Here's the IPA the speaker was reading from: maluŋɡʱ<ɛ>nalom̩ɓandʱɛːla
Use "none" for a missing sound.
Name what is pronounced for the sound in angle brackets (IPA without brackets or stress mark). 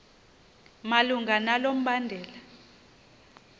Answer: a